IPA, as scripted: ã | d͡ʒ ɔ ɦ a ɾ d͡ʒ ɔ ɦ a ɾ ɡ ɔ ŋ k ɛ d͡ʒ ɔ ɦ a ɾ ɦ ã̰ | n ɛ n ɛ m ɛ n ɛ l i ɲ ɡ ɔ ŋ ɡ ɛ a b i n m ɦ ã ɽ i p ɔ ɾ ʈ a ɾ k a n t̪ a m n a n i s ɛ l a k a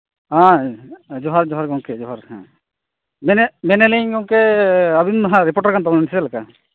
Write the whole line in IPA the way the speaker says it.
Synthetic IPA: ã | d͡ʒ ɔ ɦ a ɾ d͡ʒ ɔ ɦ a ɾ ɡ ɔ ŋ k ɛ d͡ʒ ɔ ɦ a ɾ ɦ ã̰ | m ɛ n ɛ m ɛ n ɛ l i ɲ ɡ ɔ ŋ k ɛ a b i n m ɦ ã ɾ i p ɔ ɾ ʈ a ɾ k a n t̪ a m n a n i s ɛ l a k a

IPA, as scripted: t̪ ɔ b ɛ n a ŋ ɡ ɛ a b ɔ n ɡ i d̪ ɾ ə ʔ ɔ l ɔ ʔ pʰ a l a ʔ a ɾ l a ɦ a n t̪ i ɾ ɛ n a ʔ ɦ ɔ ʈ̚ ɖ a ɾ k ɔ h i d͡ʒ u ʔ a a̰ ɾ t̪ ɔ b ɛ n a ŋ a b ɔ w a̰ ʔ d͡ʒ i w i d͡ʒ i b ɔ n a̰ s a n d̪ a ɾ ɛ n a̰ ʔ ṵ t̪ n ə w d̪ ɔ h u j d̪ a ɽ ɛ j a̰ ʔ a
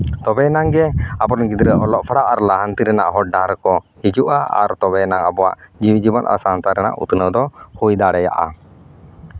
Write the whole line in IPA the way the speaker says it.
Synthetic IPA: t̪ ɔ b ɛ n a ŋ ɡ ɛ a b ɔ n ɡ i d̪ ɾ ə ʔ ɔ l ɔ ʔ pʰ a ɽ a ʔ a ɾ l a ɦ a n t̪ i ɾ ɛ n a ʔ ɦ ɔ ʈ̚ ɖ a ɾ k ɔ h i d͡ʒ u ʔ a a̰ ɾ t̪ ɔ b ɛ n a ŋ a b ɔ w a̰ ʔ d͡ʒ i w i d͡ʒ i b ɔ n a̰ s a n t̪ a ɾ ɛ n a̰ ʔ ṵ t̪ n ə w d̪ ɔ h u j d̪ a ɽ ɛ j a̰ ʔ a

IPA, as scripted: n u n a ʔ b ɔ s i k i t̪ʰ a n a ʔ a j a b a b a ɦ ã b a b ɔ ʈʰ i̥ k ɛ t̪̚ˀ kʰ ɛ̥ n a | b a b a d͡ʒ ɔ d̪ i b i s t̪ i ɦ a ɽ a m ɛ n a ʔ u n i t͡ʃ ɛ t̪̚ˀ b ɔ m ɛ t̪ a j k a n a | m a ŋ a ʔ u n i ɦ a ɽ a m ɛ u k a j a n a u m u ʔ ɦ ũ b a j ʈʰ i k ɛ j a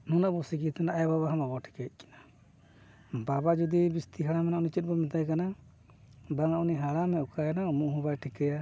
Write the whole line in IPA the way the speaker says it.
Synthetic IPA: n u n a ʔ b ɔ s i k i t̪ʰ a n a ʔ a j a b a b a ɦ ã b a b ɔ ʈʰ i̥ k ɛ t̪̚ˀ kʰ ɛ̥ n a | b a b a d͡ʒ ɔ d̪ i b i s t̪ i ɦ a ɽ a m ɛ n a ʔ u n i t͡ʃ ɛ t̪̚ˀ b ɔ m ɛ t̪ a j k a n a | b a ŋ a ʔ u n i ɦ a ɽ a m ɛ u k a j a n a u m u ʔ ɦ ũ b a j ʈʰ i k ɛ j a

